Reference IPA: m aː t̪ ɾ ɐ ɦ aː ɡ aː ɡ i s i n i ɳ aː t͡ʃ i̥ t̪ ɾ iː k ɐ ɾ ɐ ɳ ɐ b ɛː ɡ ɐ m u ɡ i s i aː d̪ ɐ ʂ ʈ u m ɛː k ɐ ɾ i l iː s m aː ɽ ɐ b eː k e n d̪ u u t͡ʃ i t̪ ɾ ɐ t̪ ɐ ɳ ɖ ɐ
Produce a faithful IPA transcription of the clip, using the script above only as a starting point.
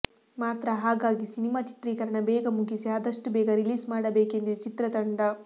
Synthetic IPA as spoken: m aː t̪ ɾ ɐ ɦ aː ɡ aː ɡ i s i n i m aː t͡ʃ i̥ t̪ ɾ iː k ɐ ɾ ɐ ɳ ɐ b ɛː ɡ ɐ m u ɡ i s i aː d̪ ɐ ʂ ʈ u b ɛː ɡ ɐ ɾ i l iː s m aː ɽ ɐ b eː k e n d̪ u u t͡ʃ i t̪ ɾ ɐ t̪ ɐ ɳ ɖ ɐ

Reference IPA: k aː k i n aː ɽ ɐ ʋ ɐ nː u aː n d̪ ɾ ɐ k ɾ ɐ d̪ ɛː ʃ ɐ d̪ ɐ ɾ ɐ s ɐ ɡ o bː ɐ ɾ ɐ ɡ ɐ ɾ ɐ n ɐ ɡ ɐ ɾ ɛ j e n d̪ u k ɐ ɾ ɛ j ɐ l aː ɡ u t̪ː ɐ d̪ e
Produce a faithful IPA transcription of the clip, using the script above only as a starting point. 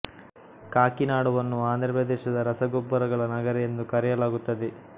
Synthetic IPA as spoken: k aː k i n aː ɽ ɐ ʋ ɐ nː u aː n d̪ ɾ ɐ p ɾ ɐ d̪ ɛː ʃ ɐ d̪ ɐ ɾ ɐ s ɐ ɡ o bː ɐ ɾ ɐ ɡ ɐ ɭ ɐ n ɐ ɡ ɐ ɾ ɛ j e n d̪ u k ɐ ɾ ɛ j ɐ l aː ɡ u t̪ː ɐ d̪ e

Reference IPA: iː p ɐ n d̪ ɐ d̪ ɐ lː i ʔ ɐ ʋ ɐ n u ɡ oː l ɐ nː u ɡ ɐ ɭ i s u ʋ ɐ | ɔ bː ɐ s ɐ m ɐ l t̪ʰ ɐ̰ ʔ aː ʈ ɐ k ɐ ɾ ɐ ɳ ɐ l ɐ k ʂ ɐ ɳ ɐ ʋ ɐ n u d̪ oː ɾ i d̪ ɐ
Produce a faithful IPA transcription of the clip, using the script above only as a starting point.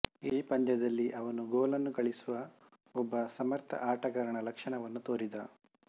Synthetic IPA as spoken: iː p ɐ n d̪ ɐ d̪ ɐ lː i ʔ ɐ ʋ ɐ n u ɡ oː l ɐ nː u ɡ ɐ ɭ i s u ʋ ɐ | ɔ bː ɐ s ɐ m ɐ ɾ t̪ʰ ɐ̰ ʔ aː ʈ ɐ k ɐ ɾ ɐ ɳ ɐ l ɐ k ʂ ɐ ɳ ɐ ʋ ɐ nː u t̪ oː ɾ i d̪ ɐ

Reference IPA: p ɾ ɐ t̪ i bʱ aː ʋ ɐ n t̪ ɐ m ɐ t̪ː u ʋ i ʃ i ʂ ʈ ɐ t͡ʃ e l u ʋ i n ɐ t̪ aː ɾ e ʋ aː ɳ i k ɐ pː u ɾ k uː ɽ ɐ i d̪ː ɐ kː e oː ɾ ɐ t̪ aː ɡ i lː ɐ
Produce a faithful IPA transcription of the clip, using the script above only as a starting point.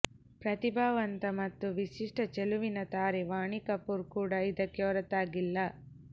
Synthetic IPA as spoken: p ɾ ɐ t̪ i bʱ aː ʋ ɐ n t̪ ɐ m ɐ t̪ː u ʋ i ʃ i ʂ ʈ ɐ t͡ʃ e l u ʋ i n ɐ t̪ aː ɾ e ʋ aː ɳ i k ɐ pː u ɾ k uː ɽ ɐ i d̪ ɐ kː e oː ɾ ɐ t̪ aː ɡ i lː ɐ

